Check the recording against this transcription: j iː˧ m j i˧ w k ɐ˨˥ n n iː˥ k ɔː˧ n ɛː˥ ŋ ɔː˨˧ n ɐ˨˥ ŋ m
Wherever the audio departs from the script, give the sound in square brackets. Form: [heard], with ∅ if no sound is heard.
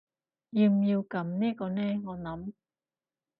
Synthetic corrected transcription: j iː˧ m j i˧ w k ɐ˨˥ [m] n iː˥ k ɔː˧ n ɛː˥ ŋ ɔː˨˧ n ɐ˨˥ [∅] m